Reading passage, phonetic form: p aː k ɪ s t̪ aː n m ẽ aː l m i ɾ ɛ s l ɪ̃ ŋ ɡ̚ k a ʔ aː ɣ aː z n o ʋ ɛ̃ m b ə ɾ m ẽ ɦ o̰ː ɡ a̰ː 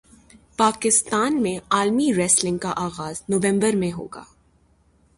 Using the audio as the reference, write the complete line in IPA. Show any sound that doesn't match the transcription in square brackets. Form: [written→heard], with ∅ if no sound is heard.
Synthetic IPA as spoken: p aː k ɪ s t̪ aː n m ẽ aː l m i ɾ ɛ s l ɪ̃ ŋ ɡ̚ k a ʔ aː ɣ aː z n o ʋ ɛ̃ m b ə ɾ m ẽ ɦ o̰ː ɡ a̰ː